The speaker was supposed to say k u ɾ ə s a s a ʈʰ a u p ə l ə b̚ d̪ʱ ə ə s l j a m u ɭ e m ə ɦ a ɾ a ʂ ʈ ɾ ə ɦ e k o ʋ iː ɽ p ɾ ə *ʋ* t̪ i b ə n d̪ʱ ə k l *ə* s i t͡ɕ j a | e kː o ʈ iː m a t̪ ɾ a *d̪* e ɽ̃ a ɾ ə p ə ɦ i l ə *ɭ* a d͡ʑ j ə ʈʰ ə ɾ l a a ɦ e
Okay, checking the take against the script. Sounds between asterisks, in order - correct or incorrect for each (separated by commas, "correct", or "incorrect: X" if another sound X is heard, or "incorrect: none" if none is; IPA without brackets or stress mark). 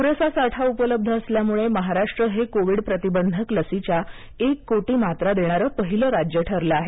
incorrect: none, correct, correct, incorrect: ɾ